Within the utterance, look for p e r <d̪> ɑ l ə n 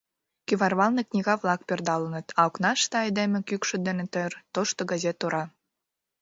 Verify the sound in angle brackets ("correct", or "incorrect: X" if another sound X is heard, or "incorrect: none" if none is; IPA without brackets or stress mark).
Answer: correct